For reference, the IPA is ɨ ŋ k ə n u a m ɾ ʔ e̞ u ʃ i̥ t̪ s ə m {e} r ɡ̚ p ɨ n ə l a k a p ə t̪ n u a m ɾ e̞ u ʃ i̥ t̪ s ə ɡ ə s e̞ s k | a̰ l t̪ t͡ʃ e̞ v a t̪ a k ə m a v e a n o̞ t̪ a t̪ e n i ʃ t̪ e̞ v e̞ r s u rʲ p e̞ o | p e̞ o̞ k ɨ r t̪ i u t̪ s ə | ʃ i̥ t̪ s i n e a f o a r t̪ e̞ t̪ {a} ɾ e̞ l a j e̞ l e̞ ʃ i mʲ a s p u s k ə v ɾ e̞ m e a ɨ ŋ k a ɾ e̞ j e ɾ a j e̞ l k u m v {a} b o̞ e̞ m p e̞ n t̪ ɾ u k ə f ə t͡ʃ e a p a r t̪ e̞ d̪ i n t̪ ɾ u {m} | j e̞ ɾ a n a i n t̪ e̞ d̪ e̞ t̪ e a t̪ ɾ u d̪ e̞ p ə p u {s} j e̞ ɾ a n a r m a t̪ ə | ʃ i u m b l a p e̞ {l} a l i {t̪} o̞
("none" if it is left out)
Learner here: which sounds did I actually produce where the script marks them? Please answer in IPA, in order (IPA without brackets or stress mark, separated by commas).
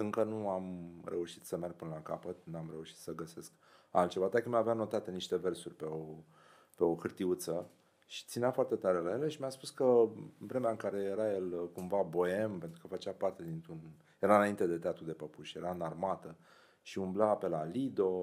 e, a, a, n, ʃ, l, d̪